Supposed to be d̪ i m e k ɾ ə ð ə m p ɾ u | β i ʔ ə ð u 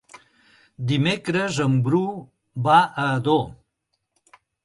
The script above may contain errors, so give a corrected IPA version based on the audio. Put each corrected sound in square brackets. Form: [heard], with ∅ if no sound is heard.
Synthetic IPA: d̪ i m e k ɾ ə [z] ə m [b] ɾ u | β [a] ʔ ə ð [o]